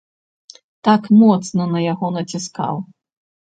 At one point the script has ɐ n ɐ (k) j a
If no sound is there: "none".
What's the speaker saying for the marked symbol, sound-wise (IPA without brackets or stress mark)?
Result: none